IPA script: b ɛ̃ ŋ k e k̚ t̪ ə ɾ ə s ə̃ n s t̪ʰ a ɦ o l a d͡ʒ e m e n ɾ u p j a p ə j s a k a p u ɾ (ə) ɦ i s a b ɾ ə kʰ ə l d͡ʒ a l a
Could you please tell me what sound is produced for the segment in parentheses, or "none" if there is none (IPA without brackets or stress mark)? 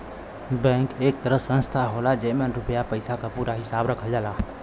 a